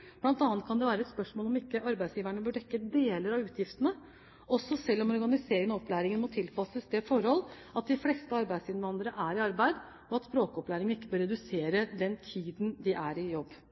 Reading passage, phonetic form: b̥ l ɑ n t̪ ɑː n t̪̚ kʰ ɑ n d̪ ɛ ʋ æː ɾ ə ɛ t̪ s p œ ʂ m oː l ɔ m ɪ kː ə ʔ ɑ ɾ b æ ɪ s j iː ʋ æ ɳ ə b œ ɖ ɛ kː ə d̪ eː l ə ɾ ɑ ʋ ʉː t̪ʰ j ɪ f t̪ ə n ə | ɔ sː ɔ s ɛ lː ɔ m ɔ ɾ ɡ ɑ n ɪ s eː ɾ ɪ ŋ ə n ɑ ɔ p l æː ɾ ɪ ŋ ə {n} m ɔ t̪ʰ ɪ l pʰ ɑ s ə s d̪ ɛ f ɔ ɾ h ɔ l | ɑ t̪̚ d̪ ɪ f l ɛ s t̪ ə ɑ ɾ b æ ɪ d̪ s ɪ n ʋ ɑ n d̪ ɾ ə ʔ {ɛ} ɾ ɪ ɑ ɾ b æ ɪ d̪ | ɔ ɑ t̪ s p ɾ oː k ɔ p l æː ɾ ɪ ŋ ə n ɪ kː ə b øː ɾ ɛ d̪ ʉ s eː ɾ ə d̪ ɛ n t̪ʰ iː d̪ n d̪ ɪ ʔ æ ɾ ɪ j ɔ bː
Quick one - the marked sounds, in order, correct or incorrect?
correct, incorrect

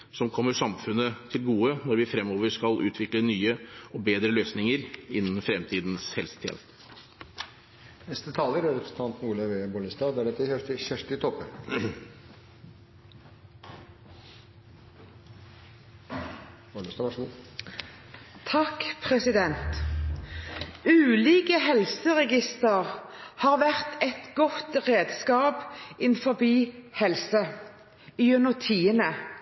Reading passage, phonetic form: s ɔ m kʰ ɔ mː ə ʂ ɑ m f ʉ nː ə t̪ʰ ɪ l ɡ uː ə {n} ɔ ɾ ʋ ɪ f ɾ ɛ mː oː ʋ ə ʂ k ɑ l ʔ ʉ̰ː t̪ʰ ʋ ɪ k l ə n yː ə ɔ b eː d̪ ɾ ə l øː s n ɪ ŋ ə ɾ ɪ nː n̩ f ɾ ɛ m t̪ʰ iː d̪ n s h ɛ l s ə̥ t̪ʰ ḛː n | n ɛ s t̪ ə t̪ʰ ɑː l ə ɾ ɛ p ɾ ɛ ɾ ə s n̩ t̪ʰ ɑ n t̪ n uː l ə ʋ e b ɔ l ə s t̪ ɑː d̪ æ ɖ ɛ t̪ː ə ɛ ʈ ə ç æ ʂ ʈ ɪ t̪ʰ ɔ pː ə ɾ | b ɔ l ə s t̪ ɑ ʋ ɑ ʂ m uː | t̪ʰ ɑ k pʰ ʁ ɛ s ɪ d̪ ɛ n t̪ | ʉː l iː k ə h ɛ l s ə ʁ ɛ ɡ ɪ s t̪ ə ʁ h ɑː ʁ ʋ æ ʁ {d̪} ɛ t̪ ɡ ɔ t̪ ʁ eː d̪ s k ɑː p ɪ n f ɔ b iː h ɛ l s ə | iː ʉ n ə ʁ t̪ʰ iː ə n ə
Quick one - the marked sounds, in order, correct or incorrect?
correct, incorrect

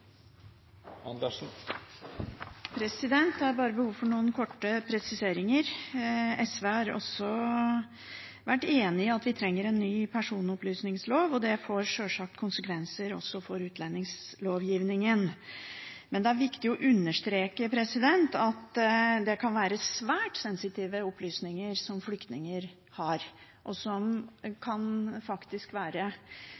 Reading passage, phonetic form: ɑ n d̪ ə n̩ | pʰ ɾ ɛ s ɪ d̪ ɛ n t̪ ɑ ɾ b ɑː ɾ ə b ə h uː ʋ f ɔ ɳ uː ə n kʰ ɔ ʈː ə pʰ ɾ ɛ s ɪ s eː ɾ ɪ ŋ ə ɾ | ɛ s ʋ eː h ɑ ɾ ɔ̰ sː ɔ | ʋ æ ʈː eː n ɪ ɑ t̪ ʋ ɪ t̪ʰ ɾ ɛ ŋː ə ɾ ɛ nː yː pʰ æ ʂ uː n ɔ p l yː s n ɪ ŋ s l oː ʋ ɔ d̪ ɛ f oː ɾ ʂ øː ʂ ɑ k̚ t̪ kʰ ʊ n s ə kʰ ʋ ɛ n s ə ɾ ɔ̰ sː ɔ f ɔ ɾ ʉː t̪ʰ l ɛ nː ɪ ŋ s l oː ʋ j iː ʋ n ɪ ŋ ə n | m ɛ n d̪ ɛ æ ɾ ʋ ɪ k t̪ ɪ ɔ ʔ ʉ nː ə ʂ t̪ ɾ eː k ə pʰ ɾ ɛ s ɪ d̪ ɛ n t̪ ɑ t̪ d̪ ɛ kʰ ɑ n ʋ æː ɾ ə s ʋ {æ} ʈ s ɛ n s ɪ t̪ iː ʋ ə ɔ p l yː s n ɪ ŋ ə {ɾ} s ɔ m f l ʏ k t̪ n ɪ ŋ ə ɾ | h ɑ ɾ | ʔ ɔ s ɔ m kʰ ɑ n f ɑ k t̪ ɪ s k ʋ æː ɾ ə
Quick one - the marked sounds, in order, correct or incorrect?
incorrect, correct

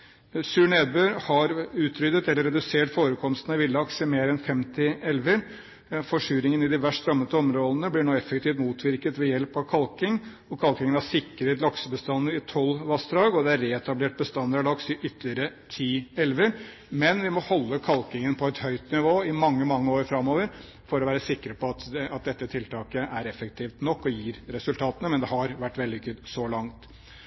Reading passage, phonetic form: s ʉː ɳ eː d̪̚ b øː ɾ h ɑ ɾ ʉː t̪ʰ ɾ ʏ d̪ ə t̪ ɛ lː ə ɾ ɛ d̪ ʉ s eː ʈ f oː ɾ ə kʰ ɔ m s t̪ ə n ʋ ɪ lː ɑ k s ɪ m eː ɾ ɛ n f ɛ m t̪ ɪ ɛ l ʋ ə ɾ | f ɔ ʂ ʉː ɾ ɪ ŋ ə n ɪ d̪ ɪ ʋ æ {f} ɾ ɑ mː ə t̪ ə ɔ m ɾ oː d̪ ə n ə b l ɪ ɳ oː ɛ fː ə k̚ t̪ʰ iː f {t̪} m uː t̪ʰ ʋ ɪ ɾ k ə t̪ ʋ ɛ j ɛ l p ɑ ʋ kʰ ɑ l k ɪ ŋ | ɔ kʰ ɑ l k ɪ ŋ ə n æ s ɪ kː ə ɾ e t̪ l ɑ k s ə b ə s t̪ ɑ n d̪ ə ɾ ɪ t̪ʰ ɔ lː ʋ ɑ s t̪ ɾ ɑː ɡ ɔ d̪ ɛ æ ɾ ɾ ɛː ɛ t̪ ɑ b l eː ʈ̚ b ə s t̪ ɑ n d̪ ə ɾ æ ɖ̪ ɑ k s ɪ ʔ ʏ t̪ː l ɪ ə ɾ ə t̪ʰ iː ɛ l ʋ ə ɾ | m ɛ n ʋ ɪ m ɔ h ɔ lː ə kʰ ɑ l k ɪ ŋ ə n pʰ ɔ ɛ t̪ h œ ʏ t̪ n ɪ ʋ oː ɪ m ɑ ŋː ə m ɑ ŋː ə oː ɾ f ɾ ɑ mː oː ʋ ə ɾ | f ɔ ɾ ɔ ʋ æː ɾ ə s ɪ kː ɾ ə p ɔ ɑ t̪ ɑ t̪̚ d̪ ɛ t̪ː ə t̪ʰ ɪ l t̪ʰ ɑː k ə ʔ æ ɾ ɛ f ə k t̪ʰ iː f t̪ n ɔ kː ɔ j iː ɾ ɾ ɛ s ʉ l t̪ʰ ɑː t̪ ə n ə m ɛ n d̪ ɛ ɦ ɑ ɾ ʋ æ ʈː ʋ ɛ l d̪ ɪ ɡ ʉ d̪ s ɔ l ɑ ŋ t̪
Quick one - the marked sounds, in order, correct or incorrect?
incorrect, correct

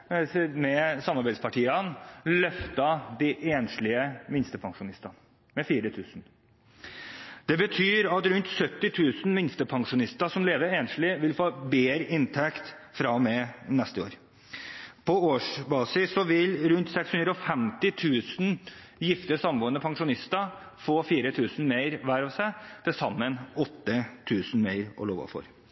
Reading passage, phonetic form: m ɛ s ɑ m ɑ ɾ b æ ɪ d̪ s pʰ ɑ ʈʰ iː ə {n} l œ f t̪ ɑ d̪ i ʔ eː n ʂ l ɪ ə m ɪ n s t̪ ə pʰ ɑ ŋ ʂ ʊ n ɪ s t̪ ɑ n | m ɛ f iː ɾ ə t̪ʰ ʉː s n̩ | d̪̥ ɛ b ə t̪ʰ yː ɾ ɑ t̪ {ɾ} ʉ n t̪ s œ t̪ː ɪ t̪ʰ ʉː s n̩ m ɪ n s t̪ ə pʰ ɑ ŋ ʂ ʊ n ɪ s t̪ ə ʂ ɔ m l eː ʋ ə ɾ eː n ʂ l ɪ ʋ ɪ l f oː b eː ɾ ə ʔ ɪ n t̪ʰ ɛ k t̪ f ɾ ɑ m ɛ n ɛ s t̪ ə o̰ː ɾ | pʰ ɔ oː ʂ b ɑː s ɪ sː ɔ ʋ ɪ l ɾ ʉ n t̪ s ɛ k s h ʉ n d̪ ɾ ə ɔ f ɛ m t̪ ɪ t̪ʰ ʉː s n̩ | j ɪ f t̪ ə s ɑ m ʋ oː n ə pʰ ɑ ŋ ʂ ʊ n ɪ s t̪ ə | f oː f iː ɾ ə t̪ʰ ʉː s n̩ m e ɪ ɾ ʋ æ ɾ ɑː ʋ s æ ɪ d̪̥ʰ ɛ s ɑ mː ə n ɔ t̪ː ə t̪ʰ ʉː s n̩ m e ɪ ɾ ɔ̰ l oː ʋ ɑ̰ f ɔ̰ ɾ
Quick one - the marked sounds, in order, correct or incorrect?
correct, correct

